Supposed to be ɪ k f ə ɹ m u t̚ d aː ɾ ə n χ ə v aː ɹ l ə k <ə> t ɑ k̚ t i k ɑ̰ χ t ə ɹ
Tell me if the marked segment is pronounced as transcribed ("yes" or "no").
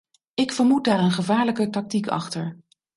yes